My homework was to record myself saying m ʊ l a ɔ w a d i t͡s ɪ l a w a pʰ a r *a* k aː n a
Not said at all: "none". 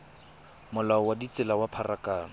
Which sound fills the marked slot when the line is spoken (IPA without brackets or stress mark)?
a